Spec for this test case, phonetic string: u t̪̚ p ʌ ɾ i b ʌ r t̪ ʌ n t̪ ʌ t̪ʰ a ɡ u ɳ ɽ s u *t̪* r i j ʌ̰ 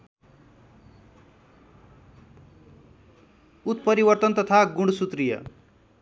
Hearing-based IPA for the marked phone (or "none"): t̪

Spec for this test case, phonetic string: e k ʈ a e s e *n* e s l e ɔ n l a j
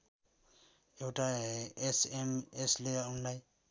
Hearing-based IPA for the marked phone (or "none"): m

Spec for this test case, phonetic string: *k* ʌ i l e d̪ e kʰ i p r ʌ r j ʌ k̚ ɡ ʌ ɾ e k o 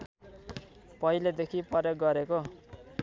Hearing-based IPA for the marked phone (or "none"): p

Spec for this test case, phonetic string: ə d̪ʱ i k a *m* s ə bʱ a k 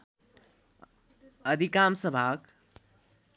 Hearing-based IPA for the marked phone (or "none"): m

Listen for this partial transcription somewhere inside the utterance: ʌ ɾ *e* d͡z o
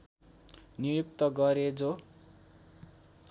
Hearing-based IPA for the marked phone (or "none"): e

